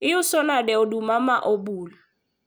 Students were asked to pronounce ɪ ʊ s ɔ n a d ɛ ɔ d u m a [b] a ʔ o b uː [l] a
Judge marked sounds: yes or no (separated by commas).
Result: no, yes